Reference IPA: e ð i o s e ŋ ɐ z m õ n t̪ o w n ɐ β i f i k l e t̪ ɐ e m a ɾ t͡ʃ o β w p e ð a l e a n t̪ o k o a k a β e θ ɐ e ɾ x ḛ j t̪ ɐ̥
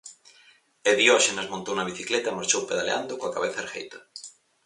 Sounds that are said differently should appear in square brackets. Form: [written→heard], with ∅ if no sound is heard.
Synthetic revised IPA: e ð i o [s→ʃ] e [ŋ→n] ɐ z m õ n t̪ o w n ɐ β i [f→θ] i k l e t̪ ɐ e m a ɾ t͡ʃ o [β→∅] w p e ð a l e a n [t̪→d̪] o k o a k a β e θ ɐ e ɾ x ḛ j t̪ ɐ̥